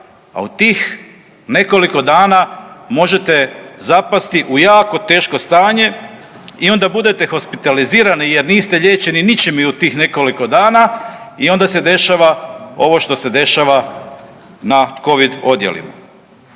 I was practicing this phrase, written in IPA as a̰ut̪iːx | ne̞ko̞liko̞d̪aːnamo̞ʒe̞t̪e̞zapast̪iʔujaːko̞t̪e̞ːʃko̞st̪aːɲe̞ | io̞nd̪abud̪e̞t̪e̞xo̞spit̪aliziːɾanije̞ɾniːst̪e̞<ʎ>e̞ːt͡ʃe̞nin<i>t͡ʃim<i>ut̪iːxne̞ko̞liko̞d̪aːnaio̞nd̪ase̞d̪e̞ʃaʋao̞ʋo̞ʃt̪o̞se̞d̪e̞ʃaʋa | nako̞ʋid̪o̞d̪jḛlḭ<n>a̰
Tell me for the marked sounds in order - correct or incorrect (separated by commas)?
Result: correct, correct, correct, incorrect